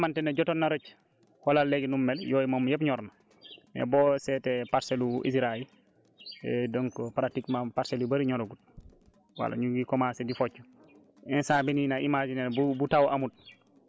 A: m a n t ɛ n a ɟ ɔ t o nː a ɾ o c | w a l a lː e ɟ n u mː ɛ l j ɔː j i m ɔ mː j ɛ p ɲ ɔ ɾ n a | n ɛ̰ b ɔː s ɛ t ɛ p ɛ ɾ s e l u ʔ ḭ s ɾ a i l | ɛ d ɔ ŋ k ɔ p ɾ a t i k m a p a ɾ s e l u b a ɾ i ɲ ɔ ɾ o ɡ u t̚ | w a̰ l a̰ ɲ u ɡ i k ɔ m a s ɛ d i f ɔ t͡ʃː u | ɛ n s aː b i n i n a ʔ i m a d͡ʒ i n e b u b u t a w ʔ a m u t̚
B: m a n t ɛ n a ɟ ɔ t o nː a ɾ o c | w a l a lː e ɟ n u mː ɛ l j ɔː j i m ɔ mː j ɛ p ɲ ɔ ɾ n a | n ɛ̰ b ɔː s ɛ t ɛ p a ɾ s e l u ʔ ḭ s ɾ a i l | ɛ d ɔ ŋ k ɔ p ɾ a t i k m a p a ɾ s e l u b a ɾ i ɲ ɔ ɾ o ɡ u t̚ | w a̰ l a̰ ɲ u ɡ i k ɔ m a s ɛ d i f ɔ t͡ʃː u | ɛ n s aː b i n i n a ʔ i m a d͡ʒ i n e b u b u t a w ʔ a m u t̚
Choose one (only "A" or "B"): B